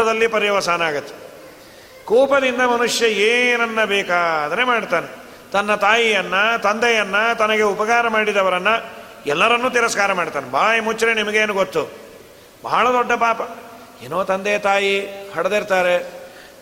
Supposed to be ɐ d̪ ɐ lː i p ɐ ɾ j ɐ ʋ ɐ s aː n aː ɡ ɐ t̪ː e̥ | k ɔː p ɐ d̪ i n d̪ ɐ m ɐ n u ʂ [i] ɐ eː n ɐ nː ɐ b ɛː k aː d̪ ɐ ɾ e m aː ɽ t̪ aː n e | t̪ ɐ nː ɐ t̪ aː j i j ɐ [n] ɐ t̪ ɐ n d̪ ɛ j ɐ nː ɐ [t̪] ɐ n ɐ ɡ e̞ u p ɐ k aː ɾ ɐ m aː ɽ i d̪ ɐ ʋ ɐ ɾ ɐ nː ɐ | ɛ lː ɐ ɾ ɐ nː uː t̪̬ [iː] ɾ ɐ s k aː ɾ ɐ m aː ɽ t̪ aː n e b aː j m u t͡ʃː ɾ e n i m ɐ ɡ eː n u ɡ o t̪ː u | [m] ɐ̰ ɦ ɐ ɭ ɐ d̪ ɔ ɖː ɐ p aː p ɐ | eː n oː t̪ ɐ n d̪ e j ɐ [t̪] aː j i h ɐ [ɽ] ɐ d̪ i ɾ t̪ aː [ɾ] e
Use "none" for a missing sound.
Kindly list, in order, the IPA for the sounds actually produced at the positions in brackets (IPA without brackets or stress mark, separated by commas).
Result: j, nː, t̪, i, b, t̪, ɽ, ɾ